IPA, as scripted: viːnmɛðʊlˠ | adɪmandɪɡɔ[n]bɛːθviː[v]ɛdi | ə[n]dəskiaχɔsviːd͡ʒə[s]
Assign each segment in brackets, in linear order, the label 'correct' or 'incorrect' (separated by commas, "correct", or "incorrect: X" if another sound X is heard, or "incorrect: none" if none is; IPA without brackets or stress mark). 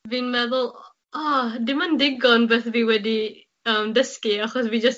correct, incorrect: w, incorrect: m, correct